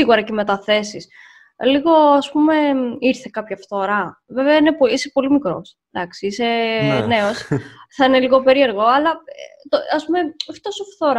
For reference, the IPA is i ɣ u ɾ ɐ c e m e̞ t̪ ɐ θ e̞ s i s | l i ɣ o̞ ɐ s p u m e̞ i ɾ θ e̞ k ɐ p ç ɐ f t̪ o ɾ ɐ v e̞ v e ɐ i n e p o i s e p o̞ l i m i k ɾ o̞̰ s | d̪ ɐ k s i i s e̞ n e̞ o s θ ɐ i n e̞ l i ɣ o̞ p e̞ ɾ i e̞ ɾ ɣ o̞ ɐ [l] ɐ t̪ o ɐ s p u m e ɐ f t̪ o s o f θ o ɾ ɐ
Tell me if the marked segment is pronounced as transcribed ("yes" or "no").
yes